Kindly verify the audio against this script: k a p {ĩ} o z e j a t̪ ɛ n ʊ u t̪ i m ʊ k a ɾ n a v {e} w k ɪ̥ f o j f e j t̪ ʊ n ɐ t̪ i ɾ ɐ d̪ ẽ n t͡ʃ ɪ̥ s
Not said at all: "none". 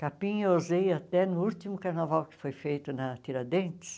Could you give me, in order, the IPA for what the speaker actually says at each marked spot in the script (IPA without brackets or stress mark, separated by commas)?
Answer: ĩ, a